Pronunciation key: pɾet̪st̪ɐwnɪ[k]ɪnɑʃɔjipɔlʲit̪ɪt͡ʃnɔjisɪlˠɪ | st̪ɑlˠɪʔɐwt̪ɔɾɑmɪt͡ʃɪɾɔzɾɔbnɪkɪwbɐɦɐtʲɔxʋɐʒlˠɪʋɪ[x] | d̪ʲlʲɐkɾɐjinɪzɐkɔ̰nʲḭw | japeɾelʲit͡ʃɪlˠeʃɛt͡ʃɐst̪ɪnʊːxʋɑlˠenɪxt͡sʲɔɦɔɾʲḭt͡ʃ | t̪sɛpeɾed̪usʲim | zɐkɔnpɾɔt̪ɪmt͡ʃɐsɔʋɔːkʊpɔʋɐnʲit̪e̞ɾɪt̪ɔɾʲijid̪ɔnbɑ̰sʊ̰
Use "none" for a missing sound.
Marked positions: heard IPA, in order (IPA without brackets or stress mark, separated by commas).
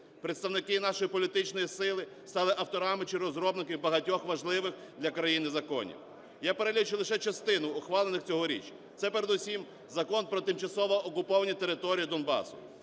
k, x